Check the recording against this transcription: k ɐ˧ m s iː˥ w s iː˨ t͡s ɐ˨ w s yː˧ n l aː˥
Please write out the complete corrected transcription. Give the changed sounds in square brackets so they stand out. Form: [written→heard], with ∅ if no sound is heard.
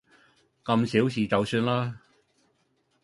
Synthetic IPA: k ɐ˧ m s [iː˥→iː˨˥] w s iː˨ t͡s ɐ˨ w s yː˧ n l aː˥